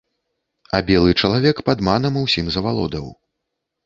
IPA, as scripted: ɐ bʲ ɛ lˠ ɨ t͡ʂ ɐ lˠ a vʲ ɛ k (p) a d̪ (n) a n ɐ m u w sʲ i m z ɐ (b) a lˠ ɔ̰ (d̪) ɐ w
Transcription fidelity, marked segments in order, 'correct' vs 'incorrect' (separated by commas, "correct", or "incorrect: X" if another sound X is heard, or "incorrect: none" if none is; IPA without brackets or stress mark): correct, incorrect: m, incorrect: v, correct